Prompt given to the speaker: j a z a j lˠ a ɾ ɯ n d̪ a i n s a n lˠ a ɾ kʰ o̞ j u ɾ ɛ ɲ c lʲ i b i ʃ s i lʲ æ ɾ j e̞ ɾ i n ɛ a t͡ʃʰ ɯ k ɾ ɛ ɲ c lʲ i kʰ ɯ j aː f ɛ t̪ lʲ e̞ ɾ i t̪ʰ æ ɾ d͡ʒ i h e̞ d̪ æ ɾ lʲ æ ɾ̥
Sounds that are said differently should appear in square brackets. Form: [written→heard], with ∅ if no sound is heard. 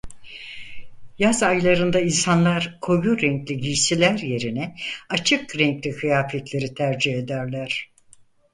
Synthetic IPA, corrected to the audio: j a z a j lˠ a ɾ ɯ n d̪ a i n s a n lˠ a ɾ kʰ o̞ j u ɾ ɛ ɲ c lʲ i [b→ɟ] i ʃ s i lʲ æ ɾ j e̞ ɾ i n ɛ a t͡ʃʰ ɯ k ɾ ɛ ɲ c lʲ i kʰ ɯ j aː f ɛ t̪ lʲ e̞ ɾ i t̪ʰ æ ɾ d͡ʒ i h e̞ d̪ æ ɾ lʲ æ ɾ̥